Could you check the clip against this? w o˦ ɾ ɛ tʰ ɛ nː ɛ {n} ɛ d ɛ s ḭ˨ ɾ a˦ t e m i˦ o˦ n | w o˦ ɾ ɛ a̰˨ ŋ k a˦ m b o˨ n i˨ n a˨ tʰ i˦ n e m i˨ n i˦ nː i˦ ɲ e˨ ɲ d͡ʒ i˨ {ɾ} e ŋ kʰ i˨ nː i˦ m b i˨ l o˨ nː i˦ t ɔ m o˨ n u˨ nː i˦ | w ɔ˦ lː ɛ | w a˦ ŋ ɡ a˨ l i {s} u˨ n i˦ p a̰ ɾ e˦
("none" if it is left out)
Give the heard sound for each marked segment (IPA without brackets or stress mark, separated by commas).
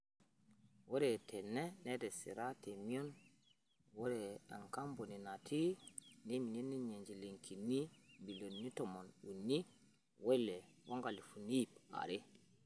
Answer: n, l, f